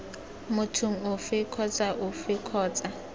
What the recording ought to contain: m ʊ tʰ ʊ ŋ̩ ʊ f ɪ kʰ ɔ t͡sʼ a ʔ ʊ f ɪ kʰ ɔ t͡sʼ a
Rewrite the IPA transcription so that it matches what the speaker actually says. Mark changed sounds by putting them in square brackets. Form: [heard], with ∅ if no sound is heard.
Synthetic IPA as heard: m ʊ tʰ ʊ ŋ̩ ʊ f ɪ kʰ ɔ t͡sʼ a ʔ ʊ f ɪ kʰ [ɔː] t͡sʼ a